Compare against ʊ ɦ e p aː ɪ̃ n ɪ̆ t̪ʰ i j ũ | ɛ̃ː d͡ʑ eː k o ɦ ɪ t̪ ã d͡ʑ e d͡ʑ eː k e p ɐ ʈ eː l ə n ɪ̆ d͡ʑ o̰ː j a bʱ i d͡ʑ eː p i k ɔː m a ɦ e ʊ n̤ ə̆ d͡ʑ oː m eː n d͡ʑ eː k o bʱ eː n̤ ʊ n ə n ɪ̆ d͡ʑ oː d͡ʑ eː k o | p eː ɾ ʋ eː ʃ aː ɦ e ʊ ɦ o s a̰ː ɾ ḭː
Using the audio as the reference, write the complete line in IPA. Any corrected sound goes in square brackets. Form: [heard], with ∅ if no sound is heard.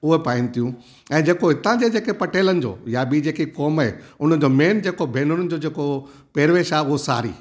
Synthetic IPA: ʊ ɦ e p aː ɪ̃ n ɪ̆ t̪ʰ i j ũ | ɛ̃ː d͡ʑ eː k o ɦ ɪ t̪ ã d͡ʑ e d͡ʑ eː k e p ɐ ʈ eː l ə n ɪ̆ d͡ʑ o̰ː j a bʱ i d͡ʑ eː [k] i k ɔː m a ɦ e ʊ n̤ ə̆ d͡ʑ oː m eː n d͡ʑ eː k o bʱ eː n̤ ʊ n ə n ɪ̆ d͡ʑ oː d͡ʑ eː k o | p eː ɾ ʋ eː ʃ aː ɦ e ʊ ɦ o s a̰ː ɾ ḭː

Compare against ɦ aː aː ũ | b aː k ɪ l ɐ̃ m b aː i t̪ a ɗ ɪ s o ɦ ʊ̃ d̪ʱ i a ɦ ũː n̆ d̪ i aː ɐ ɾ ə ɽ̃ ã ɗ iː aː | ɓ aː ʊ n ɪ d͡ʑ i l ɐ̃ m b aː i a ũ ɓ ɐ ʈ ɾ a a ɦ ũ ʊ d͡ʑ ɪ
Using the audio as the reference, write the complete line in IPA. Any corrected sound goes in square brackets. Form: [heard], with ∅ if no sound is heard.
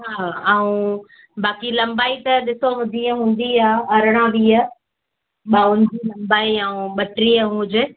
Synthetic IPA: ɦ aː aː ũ | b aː k [i] l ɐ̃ m b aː i t̪ [ɐ] ɗ ɪ s o ɦ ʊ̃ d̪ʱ i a ɦ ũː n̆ d̪ i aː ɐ ɾ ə ɽ̃ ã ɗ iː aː | ɓ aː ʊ n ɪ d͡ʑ i l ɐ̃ m b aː i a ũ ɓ ɐ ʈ ɾ [i] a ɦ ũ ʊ d͡ʑ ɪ

